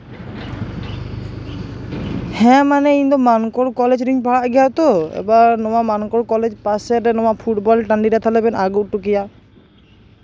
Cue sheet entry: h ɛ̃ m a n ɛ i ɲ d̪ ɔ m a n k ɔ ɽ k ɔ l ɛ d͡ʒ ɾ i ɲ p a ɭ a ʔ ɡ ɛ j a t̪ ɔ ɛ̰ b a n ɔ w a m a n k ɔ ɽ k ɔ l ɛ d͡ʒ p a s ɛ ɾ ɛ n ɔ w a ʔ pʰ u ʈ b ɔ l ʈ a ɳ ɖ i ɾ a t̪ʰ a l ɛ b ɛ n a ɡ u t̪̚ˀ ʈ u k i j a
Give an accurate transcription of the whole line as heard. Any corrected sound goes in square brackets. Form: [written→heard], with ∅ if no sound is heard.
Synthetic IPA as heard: h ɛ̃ m a n ɛ i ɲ d̪ ɔ m a n k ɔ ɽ k ɔ l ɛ d͡ʒ ɾ i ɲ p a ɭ a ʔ ɡ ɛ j a t̪ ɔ ɛ̰ b a n ɔ w a m a n k ɔ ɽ k ɔ l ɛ d͡ʒ p a s ɛ ɾ ɛ n ɔ w a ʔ pʰ u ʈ b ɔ l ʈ a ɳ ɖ i ɾ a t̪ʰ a l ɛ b ɛ n a ɡ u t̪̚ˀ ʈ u k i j a